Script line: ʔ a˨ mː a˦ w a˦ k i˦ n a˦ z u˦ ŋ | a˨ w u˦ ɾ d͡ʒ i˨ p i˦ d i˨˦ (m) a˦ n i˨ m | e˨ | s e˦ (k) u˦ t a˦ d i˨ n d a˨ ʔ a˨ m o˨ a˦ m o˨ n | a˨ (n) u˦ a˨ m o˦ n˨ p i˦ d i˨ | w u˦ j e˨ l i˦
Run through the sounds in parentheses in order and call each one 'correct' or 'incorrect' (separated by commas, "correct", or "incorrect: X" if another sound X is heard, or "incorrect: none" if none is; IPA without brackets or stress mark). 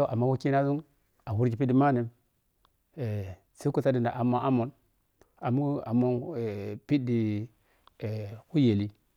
correct, correct, incorrect: m